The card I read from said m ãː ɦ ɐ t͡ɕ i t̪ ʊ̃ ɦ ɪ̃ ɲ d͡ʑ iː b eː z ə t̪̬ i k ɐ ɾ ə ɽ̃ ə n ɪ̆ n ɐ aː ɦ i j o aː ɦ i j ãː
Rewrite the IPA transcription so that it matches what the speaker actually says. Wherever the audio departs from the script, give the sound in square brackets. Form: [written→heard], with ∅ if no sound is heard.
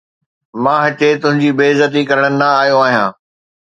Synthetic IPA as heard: m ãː ɦ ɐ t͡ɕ [i→e] t̪ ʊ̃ ɦ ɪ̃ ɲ d͡ʑ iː b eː z ə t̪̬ i k ɐ ɾ ə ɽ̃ ə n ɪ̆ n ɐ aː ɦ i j o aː ɦ i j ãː

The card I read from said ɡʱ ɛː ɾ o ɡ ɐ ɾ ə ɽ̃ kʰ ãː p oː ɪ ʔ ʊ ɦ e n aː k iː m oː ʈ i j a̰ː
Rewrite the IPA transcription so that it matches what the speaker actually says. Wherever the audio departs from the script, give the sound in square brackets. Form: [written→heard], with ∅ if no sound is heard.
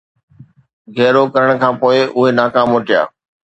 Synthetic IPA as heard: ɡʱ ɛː ɾ o [ɡ→k] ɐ ɾ ə ɽ̃ kʰ ãː p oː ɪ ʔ ʊ ɦ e n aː k [iː→aː] m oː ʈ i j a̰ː

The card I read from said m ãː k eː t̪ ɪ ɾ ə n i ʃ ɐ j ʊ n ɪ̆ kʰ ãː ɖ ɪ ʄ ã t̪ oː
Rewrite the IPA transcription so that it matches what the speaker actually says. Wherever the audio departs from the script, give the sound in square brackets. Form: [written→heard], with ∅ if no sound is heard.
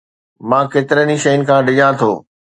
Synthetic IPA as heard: m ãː k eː t̪ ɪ ɾ ə n i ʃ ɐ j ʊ n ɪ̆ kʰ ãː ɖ ɪ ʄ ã [t̪→t̪ʰ] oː

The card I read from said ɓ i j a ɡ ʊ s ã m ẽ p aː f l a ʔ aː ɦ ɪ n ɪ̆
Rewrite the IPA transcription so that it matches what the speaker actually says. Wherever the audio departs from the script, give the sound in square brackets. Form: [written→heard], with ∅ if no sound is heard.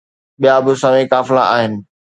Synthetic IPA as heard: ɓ i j a [ɡ→b] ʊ s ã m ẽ [p→k] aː f l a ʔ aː ɦ ɪ n ɪ̆

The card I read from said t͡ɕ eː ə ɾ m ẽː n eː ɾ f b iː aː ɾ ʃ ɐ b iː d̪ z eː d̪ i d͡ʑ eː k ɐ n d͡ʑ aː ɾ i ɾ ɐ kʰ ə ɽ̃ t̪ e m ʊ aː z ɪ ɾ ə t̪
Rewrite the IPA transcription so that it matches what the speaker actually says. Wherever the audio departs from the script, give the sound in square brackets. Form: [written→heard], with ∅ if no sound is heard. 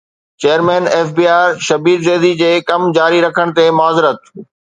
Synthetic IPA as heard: t͡ɕ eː ə ɾ m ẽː n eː [ɾ→∅] f b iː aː ɾ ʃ ɐ b iː d̪ z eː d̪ i d͡ʑ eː k ɐ [n→m] d͡ʑ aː ɾ i ɾ ɐ kʰ ə ɽ̃ t̪ e m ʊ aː z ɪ ɾ ə t̪

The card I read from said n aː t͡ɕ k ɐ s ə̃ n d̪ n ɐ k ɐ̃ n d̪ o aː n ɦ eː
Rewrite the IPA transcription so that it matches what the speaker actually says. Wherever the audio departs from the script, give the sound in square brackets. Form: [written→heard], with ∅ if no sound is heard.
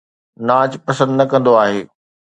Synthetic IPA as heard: n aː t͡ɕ [k→p] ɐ s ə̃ n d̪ n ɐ k ɐ̃ n d̪ o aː [n→∅] ɦ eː

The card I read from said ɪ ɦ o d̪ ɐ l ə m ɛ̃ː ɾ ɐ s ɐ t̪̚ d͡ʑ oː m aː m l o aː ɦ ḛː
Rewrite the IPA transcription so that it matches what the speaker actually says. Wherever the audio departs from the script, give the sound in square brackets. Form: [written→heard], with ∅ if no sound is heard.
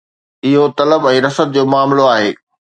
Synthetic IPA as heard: ɪ ɦ o [d̪→t̪] ɐ l ə [m→b] ɛ̃ː ɾ ɐ s [ɐ→ə] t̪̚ d͡ʑ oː m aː m l o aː ɦ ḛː

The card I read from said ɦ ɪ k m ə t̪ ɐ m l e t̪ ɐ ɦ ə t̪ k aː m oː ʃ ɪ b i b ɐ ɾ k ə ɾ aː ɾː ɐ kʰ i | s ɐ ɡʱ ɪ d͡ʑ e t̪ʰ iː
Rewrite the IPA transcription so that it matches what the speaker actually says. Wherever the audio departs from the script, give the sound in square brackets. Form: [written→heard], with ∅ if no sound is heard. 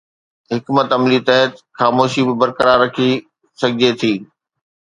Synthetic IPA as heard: ɦ ɪ k m ə t̪ ɐ m l [e→i] t̪ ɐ ɦ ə t̪ [k→x] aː m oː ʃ [ɪ→i] b [i→ɪ] b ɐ ɾ k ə ɾ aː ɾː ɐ kʰ i | s ɐ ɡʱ ɪ d͡ʑ e t̪ʰ iː

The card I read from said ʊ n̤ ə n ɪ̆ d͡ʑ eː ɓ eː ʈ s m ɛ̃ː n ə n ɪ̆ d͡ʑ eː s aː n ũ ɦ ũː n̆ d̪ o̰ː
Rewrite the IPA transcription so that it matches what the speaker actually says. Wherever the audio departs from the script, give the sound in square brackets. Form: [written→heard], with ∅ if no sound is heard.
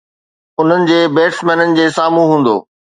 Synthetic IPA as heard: ʊ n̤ ə n ɪ̆ d͡ʑ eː [ɓ→b] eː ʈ s m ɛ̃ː n ə n ɪ̆ d͡ʑ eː s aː [n→m] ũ ɦ ũː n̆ d̪ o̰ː

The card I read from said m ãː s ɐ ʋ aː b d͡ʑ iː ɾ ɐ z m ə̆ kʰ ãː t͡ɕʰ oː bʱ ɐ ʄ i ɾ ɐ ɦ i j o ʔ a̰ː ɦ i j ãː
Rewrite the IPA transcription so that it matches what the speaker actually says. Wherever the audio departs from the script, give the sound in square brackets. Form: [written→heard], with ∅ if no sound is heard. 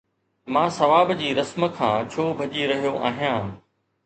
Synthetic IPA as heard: m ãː s ɐ ʋ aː b d͡ʑ iː ɾ ɐ [z→s] m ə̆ kʰ ãː t͡ɕʰ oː bʱ ɐ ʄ i ɾ ɐ ɦ i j o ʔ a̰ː ɦ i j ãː

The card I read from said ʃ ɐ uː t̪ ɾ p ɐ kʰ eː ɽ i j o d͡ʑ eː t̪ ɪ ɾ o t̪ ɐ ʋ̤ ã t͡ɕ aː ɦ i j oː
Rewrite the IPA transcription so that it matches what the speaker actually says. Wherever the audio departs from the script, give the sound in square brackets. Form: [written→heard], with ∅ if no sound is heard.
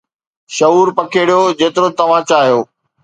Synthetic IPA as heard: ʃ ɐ uː [t̪→∅] ɾ p ɐ kʰ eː ɽ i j o d͡ʑ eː t̪ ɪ ɾ o t̪ ɐ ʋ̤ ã t͡ɕ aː ɦ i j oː

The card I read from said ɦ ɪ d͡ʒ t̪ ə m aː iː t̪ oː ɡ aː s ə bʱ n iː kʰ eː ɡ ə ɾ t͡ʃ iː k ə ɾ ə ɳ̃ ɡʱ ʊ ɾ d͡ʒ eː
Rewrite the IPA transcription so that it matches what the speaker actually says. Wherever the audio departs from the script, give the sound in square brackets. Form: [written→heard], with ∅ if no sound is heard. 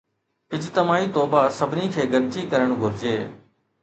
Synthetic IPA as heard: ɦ ɪ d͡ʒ t̪ ə m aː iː t̪ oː [ɡ→b] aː s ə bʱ n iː kʰ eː ɡ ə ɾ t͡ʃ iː k ə ɾ ə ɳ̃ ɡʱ ʊ ɾ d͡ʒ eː

